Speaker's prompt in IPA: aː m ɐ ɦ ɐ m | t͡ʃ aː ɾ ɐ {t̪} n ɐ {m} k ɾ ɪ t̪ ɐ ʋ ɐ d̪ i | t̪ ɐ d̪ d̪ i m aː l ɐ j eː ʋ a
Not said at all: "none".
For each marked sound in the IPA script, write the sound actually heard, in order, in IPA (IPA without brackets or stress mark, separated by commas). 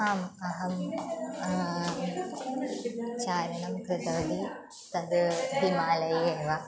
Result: none, m